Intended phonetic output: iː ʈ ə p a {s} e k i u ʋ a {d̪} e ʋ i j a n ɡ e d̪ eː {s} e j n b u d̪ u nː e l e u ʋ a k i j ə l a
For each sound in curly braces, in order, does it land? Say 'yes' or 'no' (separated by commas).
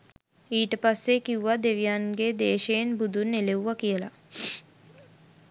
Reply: no, yes, no